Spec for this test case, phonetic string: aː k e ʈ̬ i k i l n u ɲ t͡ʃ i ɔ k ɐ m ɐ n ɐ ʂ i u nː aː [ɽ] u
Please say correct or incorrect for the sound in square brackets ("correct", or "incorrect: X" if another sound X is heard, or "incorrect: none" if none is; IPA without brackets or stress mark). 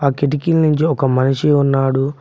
correct